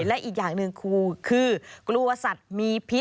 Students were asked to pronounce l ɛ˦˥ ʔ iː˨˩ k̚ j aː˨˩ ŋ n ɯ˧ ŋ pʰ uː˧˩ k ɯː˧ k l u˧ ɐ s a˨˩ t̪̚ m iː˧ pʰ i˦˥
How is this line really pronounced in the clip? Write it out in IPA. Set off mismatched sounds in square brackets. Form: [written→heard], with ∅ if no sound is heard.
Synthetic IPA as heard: l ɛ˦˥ ʔ iː˨˩ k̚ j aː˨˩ ŋ n ɯ˧ ŋ [pʰ→kʰ] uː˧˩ [k→kʰ] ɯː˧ k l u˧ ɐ s a˨˩ t̪̚ m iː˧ pʰ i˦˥